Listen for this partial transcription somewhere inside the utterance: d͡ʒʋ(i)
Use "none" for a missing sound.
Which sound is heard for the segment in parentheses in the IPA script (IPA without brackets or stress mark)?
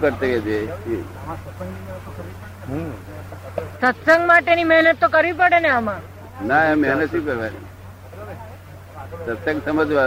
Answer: a